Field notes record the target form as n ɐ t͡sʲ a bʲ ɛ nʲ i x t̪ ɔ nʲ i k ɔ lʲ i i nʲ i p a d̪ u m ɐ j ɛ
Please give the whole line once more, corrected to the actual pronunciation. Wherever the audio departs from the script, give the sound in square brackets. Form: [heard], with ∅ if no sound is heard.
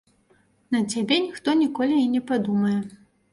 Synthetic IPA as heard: n ɐ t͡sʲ a bʲ ɛ nʲ i x t̪ ɔ nʲ i k ɔ lʲ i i nʲ [ɛ] p a d̪ u m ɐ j ɛ